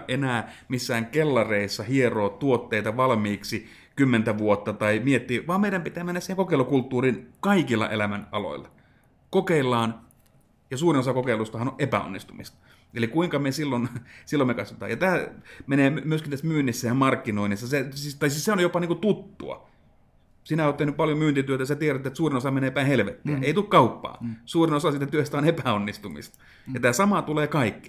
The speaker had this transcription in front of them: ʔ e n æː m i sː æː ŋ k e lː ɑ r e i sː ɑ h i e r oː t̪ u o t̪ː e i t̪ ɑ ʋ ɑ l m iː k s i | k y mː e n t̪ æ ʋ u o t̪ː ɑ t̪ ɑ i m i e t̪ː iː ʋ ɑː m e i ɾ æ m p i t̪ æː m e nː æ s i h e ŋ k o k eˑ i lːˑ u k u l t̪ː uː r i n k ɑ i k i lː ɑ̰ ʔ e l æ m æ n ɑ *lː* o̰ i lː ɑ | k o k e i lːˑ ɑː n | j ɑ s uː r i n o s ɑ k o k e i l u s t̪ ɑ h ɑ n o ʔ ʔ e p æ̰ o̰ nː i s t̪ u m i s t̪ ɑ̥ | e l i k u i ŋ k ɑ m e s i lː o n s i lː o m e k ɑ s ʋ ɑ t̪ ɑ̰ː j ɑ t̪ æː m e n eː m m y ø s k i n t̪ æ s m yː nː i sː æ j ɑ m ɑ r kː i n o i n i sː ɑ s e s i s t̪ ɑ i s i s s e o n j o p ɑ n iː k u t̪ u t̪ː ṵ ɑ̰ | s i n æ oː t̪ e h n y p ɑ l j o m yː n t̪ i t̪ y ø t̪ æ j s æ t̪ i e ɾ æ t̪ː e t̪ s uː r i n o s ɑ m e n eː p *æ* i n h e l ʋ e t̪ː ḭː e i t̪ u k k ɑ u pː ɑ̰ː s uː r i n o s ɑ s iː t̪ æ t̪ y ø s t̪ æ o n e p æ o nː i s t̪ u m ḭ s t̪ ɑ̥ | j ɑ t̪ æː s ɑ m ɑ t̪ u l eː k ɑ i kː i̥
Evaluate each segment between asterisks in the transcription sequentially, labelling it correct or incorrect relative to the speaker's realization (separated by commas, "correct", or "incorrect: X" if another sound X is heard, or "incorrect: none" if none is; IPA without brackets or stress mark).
incorrect: l, correct